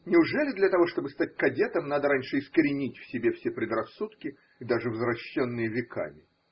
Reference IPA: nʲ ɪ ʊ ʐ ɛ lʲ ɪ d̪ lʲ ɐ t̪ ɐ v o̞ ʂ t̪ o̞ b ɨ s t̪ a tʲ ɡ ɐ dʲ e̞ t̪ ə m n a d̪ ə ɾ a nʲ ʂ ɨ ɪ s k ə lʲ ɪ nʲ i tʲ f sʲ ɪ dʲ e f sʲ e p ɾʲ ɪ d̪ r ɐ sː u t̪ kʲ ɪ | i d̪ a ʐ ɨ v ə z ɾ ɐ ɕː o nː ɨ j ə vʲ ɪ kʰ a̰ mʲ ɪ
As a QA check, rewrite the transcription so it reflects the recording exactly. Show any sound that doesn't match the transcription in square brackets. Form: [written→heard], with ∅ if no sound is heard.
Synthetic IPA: nʲ ɪ ʊ ʐ ɛ lʲ ɪ d̪ lʲ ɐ t̪ ɐ v o̞ ʂ t̪ o̞ b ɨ s t̪ a tʲ [ɡ→k] ɐ dʲ e̞ t̪ ə m n a d̪ ə ɾ a nʲ ʂ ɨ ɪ s k ə [lʲ→ɾʲ] ɪ nʲ i tʲ f sʲ ɪ [dʲ→bʲ] e f sʲ e p ɾʲ ɪ d̪ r ɐ sː u t̪ kʲ ɪ | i d̪ a ʐ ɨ v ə z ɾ ɐ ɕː o nː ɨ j ə vʲ ɪ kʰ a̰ mʲ ɪ